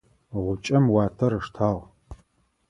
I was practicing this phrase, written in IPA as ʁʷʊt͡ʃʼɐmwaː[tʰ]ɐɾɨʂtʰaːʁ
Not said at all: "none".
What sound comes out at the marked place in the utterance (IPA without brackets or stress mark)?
tʰ